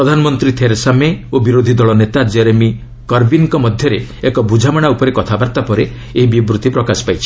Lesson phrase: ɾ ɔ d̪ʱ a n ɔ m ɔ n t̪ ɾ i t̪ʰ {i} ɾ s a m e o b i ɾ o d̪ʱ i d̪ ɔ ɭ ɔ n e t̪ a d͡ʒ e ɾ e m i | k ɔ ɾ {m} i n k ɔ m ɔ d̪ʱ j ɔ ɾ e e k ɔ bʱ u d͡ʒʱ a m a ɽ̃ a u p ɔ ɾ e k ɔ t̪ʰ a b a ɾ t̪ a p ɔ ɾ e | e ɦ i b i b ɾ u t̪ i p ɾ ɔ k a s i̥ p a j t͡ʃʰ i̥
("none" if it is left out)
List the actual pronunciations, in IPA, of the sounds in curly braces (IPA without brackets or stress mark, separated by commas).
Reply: e, b